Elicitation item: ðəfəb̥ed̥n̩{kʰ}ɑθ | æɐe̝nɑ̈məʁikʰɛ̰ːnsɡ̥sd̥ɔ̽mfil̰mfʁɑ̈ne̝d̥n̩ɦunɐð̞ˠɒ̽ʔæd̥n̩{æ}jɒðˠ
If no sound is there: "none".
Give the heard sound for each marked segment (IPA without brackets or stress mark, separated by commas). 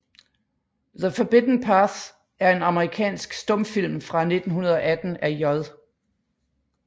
pʰ, æ